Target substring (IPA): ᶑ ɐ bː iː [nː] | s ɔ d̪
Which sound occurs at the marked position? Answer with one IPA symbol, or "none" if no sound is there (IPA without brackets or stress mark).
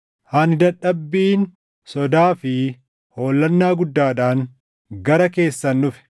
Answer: n